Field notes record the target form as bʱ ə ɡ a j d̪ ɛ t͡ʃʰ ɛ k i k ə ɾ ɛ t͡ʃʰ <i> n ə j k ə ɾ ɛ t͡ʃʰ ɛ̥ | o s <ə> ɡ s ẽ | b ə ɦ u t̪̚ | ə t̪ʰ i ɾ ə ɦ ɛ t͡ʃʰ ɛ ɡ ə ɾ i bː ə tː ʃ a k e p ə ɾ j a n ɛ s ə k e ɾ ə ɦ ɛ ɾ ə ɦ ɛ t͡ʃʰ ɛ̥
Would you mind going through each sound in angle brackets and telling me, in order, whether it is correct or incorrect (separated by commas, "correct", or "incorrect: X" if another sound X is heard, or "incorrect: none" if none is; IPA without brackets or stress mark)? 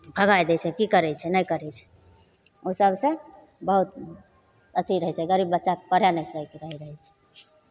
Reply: incorrect: ɛ, correct